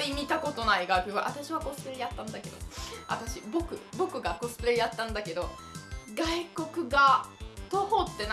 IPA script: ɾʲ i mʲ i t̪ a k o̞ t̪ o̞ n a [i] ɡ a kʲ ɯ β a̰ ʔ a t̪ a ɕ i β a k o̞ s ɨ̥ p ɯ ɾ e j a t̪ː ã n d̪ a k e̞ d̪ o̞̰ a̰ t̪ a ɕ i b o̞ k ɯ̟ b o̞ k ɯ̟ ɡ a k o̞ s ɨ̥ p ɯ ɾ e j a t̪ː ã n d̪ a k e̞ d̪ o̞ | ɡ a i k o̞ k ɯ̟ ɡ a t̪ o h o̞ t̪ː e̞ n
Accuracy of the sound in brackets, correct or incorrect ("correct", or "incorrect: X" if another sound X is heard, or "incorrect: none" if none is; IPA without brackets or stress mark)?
correct